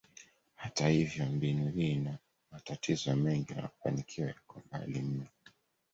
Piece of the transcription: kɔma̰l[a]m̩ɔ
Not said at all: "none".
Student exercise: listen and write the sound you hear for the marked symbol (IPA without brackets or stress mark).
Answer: i